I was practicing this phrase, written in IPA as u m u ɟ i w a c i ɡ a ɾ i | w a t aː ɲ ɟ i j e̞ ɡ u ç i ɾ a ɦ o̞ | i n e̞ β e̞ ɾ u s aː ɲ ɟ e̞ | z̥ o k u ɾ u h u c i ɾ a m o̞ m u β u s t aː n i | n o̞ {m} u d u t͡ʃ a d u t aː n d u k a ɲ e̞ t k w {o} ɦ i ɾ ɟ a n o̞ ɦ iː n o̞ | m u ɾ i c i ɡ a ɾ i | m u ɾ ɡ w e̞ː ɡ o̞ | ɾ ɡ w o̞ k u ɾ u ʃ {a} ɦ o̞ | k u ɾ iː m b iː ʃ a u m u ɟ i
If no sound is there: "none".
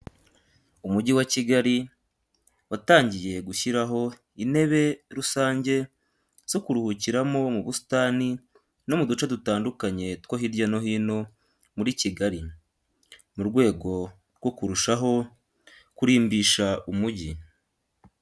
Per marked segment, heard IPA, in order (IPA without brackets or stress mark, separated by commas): m, o, a